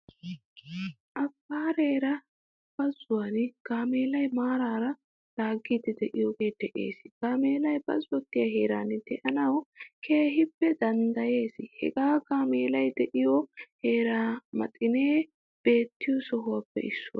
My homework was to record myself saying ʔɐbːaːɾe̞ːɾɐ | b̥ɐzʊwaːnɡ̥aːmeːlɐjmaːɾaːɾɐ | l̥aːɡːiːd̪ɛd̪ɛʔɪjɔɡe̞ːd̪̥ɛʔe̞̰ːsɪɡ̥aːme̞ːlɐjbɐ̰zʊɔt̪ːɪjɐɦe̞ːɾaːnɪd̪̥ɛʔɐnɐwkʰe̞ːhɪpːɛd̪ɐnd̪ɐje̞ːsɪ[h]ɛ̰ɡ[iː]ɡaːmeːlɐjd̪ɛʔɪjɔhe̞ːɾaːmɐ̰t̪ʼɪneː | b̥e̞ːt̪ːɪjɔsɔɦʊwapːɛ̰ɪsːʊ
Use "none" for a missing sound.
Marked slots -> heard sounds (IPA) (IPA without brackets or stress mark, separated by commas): h, aː